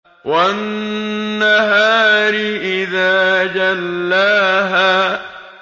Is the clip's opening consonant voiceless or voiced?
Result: voiced